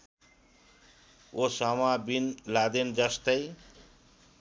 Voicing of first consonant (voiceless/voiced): voiceless